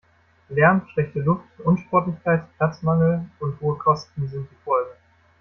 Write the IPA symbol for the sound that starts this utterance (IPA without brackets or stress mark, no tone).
l